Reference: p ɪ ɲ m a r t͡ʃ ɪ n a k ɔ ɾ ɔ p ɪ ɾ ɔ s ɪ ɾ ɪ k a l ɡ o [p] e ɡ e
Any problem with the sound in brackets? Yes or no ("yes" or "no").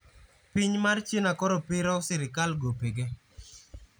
no